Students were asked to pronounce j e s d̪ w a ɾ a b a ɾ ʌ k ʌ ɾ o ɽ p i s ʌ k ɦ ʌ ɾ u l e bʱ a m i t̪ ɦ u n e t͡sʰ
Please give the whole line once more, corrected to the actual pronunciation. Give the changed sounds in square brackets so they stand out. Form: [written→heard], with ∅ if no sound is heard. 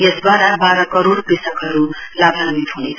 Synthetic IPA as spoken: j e s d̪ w a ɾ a b a ɾ ʌ k ʌ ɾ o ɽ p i s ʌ k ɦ ʌ ɾ u l [e→a] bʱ a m i t̪ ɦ u n e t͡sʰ